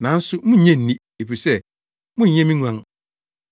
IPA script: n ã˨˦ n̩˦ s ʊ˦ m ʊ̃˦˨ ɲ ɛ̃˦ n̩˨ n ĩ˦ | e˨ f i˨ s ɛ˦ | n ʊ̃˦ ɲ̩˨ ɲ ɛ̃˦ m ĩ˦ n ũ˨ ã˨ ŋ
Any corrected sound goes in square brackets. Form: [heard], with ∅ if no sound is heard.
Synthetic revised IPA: n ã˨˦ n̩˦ s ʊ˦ m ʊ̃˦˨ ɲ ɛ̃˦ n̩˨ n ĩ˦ | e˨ f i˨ s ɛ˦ | [m] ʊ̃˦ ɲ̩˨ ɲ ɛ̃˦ m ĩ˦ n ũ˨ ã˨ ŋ